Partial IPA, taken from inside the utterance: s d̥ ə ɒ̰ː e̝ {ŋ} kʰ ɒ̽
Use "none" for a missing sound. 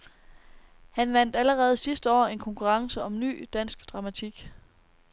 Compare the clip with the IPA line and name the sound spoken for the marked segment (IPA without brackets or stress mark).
n